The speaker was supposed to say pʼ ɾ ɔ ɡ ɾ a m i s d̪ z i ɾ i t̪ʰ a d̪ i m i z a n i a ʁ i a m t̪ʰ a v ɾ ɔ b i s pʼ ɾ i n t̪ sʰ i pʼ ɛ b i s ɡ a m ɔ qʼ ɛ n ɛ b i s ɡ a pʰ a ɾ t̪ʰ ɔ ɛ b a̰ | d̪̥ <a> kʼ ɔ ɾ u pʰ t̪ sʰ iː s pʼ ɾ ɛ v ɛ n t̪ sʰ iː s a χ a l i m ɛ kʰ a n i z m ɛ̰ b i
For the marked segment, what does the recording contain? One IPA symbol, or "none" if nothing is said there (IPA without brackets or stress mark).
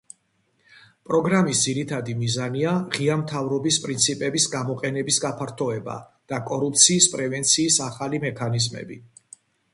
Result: a